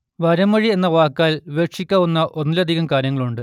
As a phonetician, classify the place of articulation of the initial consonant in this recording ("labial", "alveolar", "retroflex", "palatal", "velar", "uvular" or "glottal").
labial